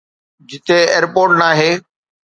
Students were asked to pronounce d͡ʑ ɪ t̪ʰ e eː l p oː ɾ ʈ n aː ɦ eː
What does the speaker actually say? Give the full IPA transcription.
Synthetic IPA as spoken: d͡ʑ ɪ t̪ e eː ɾ p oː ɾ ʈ n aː ɦ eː